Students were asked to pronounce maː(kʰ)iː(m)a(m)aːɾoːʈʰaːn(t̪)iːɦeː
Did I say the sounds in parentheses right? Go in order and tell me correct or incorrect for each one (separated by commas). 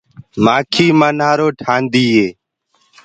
correct, correct, incorrect, incorrect